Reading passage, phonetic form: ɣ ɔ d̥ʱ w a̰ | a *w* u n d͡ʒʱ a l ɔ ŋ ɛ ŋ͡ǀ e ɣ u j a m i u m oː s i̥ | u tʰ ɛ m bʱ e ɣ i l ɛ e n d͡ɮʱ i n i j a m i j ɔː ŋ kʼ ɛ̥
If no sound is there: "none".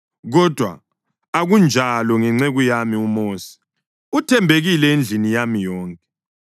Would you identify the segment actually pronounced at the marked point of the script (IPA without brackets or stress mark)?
ɣ